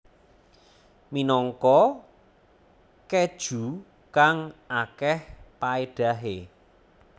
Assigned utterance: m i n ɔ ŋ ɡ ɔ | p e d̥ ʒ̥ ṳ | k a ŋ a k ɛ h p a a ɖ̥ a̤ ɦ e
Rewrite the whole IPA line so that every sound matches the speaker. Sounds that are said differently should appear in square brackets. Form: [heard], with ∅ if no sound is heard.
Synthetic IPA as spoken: m i n ɔ ŋ [k] ɔ | [k] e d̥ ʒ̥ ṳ | k a ŋ a k ɛ h p a [e] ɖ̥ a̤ ɦ e

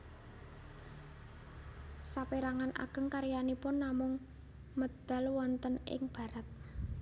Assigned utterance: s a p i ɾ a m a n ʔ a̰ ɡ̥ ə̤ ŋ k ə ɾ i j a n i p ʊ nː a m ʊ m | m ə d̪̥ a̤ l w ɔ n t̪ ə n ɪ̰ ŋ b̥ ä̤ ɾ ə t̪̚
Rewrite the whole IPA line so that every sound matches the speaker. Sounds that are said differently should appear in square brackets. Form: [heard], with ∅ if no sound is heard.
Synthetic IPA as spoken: s a p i ɾ a [ŋ] a n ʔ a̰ ɡ̥ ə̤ ŋ k [a] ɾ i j a n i p ʊ nː a m ʊ [ŋ] | m ə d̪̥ a̤ l w ɔ n t̪ ə n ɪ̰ ŋ b̥ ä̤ ɾ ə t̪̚

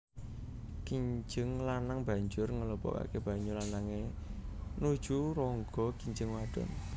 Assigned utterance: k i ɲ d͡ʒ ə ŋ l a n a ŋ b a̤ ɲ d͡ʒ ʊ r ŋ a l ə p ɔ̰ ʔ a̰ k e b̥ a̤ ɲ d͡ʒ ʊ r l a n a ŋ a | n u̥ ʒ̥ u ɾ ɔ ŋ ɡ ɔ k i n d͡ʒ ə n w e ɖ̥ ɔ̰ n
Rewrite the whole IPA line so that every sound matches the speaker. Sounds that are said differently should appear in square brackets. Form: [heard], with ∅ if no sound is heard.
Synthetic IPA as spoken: k i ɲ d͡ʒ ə ŋ l a n a ŋ b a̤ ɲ d͡ʒ ʊ r ŋ [ə] l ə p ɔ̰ [k] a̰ k e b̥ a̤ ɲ d͡ʒ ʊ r l a n a ŋ [e] | n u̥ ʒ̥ u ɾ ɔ ŋ ɡ ɔ k i [ɲ] d͡ʒ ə [ŋ] w [a] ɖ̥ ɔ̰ n

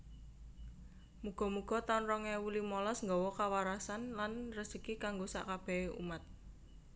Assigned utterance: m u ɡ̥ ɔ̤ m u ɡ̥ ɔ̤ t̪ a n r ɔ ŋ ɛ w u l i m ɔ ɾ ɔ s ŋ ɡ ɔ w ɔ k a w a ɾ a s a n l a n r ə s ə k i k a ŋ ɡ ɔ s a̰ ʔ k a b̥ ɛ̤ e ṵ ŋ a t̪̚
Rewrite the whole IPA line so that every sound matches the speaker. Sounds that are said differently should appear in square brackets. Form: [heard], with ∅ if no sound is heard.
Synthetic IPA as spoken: m u ɡ̥ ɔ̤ m u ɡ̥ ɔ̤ t̪ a n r ɔ ŋ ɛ w u l i m ɔ [l] ɔ s ŋ ɡ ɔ w ɔ k a w a ɾ a s a n l a n r ə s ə k i k a ŋ ɡ [o] s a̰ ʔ k a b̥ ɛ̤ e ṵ [m] a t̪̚

